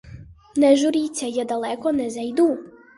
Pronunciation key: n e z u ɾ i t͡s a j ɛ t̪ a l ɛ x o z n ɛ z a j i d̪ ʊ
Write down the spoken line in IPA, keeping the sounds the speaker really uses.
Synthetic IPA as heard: n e ʒ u ɾ i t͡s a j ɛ d̪ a l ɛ k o n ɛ z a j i d̪ u